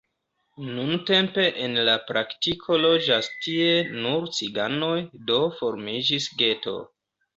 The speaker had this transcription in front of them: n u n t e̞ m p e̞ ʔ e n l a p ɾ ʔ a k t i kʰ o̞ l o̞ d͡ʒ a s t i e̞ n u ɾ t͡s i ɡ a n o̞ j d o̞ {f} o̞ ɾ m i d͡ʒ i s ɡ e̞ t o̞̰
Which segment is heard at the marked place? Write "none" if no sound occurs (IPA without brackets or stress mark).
f